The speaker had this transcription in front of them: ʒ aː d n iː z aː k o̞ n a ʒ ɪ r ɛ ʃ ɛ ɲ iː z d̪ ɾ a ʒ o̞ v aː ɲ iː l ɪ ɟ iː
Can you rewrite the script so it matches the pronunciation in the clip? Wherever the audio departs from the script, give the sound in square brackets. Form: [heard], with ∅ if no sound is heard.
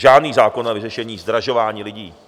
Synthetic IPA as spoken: ʒ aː d n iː z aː k o̞ n a [v] ɪ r ɛ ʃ ɛ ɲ iː z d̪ ɾ a ʒ o̞ v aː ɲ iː l ɪ ɟ iː